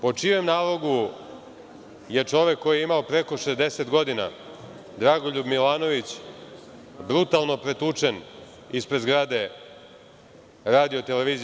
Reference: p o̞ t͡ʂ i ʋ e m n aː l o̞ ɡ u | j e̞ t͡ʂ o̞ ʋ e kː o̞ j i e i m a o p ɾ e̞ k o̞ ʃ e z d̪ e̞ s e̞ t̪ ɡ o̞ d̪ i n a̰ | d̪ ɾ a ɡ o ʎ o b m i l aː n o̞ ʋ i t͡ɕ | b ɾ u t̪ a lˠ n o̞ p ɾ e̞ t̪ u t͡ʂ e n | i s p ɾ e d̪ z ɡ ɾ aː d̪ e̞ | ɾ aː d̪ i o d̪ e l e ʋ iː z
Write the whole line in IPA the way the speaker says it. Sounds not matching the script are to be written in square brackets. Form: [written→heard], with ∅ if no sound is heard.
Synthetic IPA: p o̞ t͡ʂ i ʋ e m n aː l o̞ ɡ u | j e̞ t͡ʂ o̞ ʋ e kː o̞ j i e i m a o p ɾ e̞ k o̞ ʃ e z d̪ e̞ s e̞ t̪ ɡ o̞ d̪ i n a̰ | d̪ ɾ a ɡ o ʎ [o→u] b m i l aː n o̞ ʋ i t͡ɕ | b ɾ u t̪ a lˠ n o̞ p ɾ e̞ t̪ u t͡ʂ e n | i s p ɾ e d̪ z ɡ ɾ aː d̪ e̞ | ɾ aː d̪ i o [d̪→t̪] e l e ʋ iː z